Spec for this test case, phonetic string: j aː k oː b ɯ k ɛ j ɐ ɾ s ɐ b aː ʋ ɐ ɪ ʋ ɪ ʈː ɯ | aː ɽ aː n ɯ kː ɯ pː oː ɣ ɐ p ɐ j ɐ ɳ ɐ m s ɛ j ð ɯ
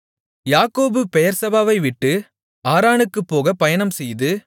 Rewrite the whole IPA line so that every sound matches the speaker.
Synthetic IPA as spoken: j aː k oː b ɯ p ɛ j ɐ ɾ s ɐ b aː ʋ ɐ ɪ ʋ ɪ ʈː ɯ | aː ɾ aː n ɯ kː ɯ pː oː ɣ ɐ p ɐ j ɐ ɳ ɐ m s ɛ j ð ɯ